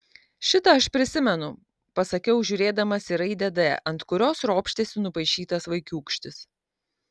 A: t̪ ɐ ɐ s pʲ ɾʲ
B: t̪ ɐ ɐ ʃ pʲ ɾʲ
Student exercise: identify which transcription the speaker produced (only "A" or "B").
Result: B